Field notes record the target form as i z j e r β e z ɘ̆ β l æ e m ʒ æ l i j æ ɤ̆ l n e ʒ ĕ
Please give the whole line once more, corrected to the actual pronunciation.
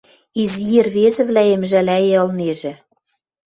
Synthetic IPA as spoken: i z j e r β e z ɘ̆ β l æ e m ʒ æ l æ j e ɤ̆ l n e ʒ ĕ

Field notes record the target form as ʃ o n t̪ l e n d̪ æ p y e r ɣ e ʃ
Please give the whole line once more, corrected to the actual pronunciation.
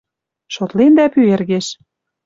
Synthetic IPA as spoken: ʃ o t̪ l e n d̪ æ p y e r ɣ e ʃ

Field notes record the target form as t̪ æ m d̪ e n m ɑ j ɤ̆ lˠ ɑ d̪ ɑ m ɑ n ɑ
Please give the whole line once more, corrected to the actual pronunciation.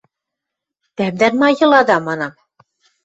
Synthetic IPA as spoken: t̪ æ m d̪ æ n m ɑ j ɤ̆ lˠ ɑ d̪ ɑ m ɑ n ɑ

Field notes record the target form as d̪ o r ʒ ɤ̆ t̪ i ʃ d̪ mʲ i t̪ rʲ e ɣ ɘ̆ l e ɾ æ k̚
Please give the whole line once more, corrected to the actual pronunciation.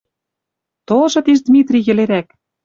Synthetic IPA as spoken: t̪ o l ʒ ɤ̆ t̪ i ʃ d̪ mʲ i t̪ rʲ i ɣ ɘ̆ l e ɾ æ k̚

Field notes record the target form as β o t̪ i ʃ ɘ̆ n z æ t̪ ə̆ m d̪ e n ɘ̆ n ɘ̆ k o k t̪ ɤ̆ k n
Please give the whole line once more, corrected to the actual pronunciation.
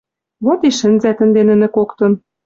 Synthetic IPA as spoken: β o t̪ i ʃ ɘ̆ n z æ t̪ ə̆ n d̪ e n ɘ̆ n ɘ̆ k o k t̪ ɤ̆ n

